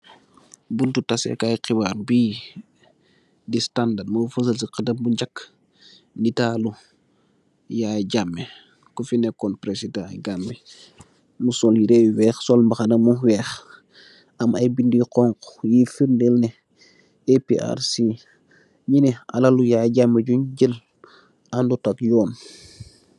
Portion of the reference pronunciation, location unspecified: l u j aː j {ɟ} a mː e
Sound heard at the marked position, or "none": ɟ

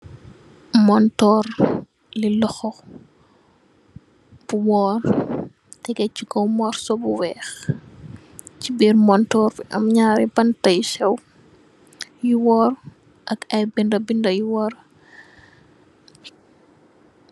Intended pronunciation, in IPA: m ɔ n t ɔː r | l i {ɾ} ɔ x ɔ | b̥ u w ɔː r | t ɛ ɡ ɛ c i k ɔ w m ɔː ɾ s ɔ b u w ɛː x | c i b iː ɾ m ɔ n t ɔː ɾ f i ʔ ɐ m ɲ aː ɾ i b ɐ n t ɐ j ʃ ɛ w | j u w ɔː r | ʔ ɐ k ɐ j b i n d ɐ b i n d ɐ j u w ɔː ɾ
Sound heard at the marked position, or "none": l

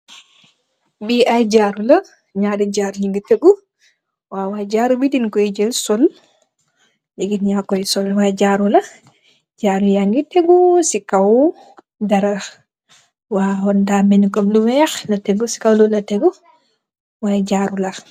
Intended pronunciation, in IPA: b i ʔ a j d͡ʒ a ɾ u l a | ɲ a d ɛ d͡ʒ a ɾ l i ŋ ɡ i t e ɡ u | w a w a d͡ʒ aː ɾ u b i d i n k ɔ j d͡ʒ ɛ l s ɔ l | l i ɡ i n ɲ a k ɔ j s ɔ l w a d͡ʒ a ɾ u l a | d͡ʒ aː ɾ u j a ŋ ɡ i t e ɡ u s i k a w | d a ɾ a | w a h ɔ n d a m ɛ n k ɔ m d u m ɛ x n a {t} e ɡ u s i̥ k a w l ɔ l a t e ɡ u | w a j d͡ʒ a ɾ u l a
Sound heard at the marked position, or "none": t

